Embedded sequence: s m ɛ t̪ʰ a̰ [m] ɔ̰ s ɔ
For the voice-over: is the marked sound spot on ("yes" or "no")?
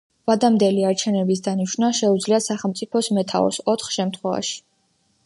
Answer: no